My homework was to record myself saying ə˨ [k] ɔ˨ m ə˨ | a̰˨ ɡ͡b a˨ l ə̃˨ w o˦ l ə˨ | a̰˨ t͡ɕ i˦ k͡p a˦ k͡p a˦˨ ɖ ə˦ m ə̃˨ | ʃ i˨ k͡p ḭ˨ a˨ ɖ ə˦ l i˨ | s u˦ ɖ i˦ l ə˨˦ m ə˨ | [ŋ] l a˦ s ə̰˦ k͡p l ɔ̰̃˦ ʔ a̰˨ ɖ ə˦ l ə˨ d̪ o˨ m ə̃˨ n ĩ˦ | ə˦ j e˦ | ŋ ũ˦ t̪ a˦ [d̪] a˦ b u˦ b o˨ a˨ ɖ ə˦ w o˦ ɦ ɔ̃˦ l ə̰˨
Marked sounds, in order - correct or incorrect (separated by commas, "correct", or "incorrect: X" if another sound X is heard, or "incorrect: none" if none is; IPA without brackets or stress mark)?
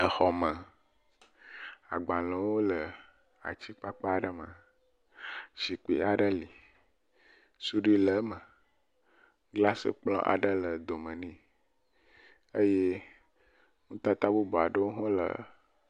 incorrect: x, incorrect: ɡ, incorrect: t̪